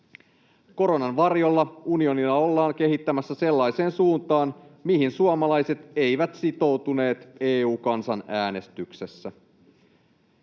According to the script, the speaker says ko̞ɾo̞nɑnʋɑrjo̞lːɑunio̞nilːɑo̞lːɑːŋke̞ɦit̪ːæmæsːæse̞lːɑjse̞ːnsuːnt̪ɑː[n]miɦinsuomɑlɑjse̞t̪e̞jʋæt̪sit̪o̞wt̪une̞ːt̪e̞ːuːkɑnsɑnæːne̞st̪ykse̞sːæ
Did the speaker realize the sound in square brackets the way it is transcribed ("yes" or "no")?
yes